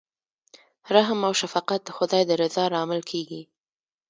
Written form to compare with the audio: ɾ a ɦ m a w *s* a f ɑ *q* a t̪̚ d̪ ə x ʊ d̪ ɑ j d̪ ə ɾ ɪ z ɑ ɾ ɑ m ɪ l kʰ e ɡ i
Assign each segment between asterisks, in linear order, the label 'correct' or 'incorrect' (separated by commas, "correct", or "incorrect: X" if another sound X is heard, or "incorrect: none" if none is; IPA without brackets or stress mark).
incorrect: ʃ, correct